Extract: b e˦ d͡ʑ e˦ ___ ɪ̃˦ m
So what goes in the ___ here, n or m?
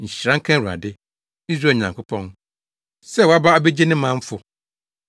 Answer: n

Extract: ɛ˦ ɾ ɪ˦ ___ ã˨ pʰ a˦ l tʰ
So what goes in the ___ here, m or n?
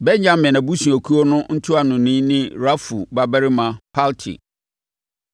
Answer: m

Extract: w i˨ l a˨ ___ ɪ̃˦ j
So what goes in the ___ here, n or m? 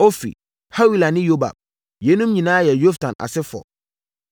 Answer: n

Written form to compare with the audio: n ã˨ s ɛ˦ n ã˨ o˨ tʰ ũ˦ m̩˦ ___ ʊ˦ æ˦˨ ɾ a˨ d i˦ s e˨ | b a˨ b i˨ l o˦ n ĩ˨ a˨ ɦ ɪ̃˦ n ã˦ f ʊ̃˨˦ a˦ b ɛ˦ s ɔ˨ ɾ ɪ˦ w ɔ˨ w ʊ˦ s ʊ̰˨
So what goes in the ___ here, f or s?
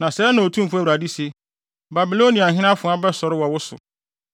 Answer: f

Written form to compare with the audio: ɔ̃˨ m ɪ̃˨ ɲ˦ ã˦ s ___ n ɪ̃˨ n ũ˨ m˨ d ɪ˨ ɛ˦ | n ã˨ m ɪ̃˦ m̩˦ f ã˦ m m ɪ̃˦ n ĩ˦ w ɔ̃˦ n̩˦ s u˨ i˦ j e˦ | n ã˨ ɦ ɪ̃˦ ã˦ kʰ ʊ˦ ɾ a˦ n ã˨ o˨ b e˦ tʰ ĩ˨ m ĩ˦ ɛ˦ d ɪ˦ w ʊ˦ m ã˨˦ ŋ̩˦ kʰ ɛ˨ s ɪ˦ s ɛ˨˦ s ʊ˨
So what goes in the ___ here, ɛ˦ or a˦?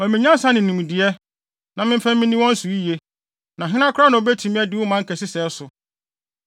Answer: a˦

